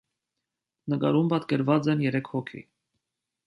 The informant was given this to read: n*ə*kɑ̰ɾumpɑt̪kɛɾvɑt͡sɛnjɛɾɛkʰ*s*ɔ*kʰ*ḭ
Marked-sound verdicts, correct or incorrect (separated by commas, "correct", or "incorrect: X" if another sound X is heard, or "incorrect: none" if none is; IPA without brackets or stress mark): correct, incorrect: h, correct